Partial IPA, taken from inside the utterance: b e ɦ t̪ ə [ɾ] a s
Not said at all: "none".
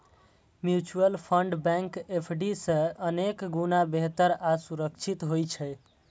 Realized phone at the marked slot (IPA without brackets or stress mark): ɾ